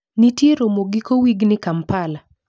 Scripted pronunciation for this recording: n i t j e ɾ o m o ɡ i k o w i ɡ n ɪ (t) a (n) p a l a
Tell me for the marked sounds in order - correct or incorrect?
incorrect: k, incorrect: m

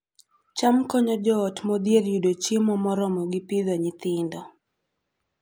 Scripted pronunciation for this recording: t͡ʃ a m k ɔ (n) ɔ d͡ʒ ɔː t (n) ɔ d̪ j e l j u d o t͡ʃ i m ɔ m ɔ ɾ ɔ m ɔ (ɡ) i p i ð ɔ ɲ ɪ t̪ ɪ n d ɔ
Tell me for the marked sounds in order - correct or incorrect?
incorrect: ɲ, incorrect: m, correct

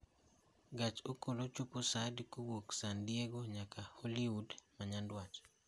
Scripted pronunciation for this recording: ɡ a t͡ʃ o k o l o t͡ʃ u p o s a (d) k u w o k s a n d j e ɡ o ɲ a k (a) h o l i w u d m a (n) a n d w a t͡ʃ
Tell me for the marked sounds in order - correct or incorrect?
correct, correct, incorrect: ɲ

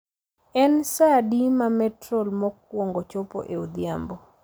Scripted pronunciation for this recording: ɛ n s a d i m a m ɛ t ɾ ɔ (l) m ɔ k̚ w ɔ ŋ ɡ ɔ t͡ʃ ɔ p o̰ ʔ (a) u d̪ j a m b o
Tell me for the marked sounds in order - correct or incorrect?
correct, incorrect: e

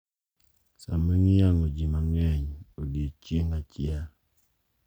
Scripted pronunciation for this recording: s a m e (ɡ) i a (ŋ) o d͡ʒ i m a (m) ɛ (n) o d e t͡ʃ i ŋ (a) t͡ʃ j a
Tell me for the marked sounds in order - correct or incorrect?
incorrect: ŋ, correct, incorrect: ŋ, incorrect: ɲ, correct

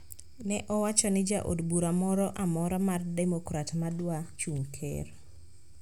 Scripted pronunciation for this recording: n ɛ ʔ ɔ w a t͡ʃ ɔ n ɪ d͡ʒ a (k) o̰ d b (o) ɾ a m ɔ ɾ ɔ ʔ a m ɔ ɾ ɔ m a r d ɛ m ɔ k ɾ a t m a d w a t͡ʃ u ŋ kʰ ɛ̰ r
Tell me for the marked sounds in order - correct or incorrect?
incorrect: ʔ, incorrect: u

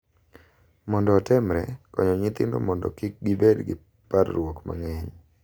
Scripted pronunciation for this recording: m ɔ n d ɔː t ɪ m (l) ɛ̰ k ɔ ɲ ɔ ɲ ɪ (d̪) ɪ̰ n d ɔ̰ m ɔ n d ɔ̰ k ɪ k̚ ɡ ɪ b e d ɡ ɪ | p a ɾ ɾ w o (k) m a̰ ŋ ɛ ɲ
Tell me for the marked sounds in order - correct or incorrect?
incorrect: ɾ, incorrect: t̪, correct

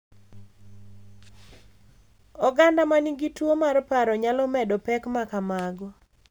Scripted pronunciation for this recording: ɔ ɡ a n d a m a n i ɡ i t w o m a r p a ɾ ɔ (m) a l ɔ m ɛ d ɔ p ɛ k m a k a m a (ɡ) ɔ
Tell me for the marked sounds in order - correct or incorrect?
incorrect: ɲ, correct

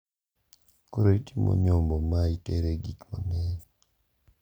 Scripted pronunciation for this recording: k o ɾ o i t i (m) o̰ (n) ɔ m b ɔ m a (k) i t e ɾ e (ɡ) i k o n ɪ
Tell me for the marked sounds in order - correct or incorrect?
correct, incorrect: ɲ, incorrect: none, correct

